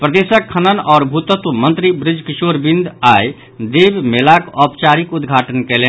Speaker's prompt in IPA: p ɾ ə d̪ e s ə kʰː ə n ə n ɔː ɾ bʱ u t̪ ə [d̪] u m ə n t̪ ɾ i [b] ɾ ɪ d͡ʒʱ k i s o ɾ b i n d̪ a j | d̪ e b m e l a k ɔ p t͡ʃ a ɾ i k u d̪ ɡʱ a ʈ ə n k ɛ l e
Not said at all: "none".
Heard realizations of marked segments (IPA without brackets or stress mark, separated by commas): t̪, b